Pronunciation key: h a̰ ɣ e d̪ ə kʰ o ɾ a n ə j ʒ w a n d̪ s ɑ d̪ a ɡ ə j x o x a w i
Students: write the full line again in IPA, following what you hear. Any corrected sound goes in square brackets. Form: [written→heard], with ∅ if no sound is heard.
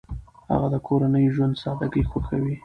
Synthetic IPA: h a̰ ɣ [e→a] d̪ ə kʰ o ɾ a n ə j ʒ w a n d̪ s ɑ d̪ a ɡ ə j x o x a w i

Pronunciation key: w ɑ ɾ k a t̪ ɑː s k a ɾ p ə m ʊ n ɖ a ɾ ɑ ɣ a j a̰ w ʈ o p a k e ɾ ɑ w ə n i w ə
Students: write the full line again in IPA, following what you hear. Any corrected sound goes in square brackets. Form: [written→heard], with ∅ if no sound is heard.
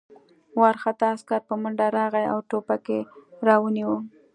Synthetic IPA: w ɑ ɾ [k→x] a t̪ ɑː s k a ɾ p ə m ʊ [n→ɳ] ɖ a ɾ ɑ ɣ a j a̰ w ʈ o p a k e ɾ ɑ w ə n i w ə

